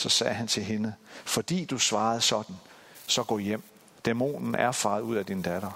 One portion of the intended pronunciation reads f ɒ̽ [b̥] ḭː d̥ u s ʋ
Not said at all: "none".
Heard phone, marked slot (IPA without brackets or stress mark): d̥